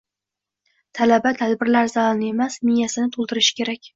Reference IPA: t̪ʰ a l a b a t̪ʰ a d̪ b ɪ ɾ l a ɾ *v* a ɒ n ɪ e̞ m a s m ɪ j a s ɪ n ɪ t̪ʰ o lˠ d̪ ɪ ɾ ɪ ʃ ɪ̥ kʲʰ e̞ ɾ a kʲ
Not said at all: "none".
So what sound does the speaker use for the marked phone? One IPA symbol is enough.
z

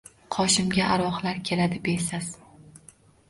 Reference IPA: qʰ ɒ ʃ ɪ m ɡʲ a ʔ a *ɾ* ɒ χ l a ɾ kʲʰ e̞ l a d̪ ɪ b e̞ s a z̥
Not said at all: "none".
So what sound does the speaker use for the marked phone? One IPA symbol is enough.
ɾ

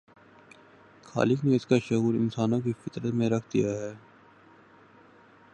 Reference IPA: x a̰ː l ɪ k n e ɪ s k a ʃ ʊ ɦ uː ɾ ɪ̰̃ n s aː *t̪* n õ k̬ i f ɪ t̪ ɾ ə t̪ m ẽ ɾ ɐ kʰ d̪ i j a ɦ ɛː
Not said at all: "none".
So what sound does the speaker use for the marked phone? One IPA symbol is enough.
none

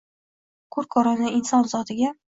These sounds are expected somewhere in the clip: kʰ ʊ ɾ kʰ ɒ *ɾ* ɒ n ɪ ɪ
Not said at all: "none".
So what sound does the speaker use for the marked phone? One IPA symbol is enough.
ɾ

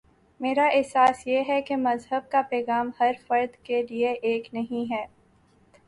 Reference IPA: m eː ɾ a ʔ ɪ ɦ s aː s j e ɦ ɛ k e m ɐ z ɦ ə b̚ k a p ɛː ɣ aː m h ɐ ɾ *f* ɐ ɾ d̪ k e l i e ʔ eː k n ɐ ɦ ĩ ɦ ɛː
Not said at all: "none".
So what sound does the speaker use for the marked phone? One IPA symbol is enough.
f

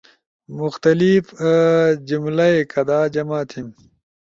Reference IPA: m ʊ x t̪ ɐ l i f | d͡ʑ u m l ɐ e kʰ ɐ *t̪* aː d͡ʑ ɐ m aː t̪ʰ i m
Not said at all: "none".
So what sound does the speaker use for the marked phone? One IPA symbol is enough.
d̪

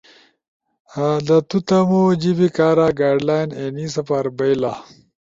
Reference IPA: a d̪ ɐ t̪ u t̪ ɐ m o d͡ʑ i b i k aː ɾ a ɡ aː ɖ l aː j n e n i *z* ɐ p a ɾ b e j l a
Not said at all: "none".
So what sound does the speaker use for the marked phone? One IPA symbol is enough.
s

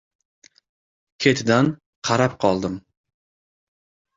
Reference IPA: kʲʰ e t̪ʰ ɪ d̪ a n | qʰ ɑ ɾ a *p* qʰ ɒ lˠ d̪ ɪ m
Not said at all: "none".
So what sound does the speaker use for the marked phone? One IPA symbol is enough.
p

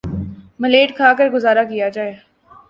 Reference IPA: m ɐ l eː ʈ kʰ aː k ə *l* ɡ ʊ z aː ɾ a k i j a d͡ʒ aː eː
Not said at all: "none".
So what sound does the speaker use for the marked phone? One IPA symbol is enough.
ɾ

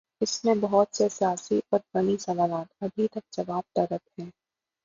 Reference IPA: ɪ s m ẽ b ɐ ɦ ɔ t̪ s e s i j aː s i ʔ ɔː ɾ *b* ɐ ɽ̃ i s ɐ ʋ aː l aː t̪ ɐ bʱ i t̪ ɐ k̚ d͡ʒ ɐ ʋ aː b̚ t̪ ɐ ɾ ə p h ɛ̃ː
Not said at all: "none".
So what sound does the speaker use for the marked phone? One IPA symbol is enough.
b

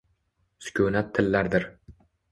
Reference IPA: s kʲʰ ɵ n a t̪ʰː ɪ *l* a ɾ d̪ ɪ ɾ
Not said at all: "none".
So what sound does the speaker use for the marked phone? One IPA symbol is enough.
lː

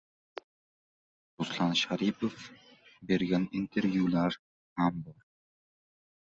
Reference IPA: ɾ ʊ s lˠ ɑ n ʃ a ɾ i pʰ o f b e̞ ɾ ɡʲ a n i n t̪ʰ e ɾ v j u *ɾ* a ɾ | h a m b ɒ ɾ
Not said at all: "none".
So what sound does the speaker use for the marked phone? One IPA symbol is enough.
l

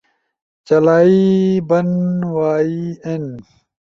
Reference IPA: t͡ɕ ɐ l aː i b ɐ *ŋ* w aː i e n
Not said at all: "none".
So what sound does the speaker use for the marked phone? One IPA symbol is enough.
n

